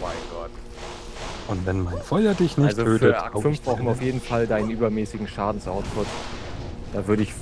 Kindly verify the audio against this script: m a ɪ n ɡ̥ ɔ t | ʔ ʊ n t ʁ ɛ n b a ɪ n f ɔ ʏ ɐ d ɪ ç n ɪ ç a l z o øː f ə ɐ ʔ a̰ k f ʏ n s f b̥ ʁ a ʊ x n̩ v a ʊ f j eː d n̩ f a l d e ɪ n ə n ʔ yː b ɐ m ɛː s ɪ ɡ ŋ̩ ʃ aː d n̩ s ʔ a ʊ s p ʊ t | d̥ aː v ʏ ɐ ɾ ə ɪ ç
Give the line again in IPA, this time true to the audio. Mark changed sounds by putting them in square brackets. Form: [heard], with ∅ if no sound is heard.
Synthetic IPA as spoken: m a ɪ n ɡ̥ ɔ t | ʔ ʊ n t [v] ɛ n [m] a ɪ n f ɔ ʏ ɐ d ɪ ç n ɪ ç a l z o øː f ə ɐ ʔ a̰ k f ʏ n [f] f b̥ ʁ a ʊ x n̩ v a ʊ f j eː d n̩ f a l d [a] ɪ n ə n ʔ yː b ɐ m ɛː s ɪ ɡ ŋ̩ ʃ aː d n̩ s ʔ a ʊ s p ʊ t | d̥ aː v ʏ ɐ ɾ ə ɪ ç